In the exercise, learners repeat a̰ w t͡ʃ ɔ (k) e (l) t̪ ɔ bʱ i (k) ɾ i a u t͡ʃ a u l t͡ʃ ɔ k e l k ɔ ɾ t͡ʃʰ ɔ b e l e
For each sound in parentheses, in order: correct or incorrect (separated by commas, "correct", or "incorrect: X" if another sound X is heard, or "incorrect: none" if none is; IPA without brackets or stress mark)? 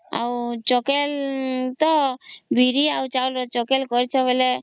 correct, correct, incorrect: none